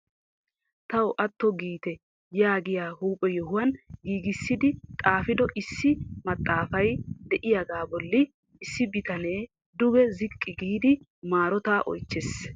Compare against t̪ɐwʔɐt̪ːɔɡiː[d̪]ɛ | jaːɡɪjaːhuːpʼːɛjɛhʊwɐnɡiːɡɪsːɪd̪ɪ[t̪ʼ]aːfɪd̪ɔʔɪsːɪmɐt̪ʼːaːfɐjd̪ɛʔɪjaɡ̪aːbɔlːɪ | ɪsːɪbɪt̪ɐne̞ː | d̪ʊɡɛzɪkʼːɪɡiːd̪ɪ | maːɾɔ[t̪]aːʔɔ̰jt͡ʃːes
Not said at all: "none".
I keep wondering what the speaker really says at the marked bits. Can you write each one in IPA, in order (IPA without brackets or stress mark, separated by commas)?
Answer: t̪, t̪ʼ, t̪